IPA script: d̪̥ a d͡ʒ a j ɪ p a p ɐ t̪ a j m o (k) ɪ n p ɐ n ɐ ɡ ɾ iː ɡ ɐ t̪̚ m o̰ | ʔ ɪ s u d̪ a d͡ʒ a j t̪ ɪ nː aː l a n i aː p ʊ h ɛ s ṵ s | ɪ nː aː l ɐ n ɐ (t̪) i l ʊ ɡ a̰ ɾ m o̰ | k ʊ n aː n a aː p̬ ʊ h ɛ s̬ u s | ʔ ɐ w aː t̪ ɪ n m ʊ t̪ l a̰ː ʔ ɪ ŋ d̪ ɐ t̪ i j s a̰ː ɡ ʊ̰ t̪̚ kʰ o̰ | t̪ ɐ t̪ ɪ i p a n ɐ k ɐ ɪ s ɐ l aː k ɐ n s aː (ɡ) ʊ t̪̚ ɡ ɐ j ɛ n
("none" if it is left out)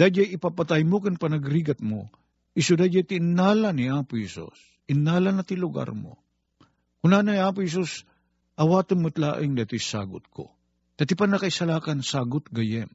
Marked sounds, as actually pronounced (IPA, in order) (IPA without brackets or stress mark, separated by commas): k, t̪, ɡ